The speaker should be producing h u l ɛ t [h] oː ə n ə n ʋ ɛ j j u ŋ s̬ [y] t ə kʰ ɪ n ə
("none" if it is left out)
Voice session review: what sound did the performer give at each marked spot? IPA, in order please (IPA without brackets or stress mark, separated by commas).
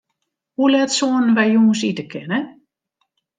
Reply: s, i